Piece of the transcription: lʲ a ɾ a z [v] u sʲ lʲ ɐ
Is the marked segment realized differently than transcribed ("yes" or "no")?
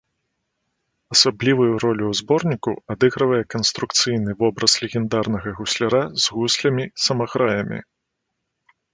yes